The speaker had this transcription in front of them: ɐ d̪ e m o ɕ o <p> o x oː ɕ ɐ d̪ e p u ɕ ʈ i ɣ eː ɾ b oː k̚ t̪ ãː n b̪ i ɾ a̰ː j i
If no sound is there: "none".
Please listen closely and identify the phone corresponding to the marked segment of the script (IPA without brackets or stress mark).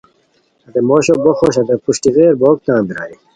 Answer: b